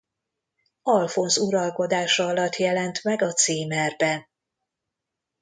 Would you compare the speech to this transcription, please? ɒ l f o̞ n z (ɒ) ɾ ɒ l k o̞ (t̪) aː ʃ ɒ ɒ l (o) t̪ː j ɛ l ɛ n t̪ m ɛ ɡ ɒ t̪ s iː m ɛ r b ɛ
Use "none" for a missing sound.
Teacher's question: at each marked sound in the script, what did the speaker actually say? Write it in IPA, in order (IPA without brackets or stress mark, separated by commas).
u, d̪, ɒ